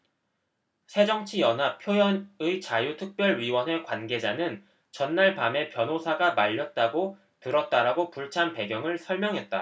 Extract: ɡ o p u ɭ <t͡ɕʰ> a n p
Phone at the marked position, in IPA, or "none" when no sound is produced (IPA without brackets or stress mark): t͡ɕʰ